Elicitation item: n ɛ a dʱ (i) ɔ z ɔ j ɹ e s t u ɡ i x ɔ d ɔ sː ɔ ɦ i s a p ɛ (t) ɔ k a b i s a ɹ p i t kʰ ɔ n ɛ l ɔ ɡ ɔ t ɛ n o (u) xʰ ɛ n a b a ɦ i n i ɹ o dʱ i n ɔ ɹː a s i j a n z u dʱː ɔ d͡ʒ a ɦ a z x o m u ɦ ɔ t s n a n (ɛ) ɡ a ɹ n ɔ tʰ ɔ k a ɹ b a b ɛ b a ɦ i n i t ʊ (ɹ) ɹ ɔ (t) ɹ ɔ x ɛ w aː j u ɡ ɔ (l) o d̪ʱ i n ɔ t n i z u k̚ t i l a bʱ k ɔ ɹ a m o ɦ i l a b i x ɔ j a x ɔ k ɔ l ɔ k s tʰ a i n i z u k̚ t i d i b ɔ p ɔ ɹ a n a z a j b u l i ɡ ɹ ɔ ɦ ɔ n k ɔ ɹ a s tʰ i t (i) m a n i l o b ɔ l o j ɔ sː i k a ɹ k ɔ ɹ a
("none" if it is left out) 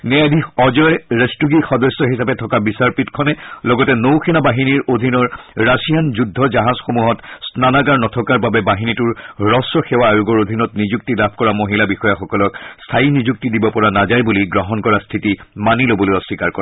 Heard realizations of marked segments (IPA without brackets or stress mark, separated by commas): i, tʰ, w, a, ɹ, s, ɹ, i